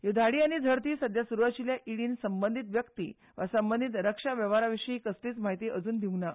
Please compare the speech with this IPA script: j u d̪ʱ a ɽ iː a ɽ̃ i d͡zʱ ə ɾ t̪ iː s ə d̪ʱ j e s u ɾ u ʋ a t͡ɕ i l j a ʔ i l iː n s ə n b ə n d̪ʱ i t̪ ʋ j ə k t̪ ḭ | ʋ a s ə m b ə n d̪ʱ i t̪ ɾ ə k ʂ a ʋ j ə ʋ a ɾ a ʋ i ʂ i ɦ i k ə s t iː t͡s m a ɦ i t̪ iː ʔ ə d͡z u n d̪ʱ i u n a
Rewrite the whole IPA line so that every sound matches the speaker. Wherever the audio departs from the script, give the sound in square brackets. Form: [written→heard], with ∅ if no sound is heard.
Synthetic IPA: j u d̪ʱ a ɽ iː a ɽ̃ i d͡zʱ ə ɾ t̪ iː s ə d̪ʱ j [e→a] s u ɾ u ʋ a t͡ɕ i l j a ʔ i [l→ɽ] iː n s ə [n→m] b ə n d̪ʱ i t̪ ʋ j ə k t̪ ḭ | ʋ a s ə m b ə n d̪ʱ i t̪ ɾ ə k ʂ a ʋ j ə ʋ a ɾ a ʋ i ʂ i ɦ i k ə s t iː t͡s m a ɦ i t̪ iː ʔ ə d͡z [u→uː] n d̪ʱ i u n a